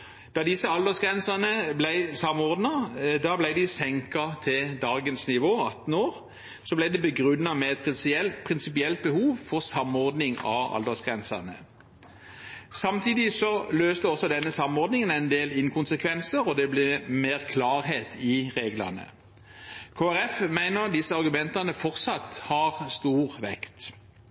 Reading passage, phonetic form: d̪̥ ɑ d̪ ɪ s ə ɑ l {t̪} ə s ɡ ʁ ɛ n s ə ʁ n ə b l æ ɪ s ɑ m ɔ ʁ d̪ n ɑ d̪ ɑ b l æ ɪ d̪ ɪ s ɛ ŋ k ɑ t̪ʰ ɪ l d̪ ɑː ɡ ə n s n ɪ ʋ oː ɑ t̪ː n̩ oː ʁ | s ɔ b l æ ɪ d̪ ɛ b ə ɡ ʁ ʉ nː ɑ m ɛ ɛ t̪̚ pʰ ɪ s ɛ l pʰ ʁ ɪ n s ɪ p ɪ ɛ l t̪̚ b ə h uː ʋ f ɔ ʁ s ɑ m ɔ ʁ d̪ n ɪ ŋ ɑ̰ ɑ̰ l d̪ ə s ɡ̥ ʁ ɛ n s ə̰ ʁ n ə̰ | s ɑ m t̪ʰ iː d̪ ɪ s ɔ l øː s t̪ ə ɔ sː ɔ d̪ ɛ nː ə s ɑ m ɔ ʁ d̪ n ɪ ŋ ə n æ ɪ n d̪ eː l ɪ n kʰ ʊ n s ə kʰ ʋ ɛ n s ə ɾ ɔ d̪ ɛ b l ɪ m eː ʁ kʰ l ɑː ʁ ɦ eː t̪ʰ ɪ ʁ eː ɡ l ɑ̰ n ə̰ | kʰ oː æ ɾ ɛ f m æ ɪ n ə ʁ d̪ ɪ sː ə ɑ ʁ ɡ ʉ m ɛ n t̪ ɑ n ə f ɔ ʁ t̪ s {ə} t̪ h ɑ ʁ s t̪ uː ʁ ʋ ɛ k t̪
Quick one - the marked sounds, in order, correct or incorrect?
incorrect, incorrect

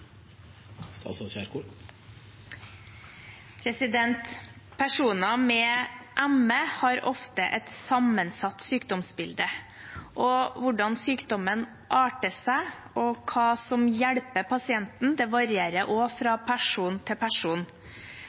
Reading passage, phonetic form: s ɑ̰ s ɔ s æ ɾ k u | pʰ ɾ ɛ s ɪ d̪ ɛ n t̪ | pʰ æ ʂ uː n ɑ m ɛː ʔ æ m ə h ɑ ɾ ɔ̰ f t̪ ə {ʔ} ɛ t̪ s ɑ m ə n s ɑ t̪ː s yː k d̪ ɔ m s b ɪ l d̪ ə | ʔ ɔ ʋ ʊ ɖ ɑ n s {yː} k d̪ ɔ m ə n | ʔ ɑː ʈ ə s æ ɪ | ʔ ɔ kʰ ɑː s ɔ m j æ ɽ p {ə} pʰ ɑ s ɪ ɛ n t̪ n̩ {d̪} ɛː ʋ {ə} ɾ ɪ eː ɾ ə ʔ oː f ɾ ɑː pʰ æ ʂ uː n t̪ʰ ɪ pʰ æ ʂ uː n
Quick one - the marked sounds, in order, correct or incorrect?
correct, correct, correct, correct, incorrect

